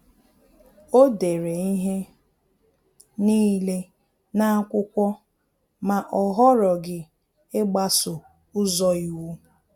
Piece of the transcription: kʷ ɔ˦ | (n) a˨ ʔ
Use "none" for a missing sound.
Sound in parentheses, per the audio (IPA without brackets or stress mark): m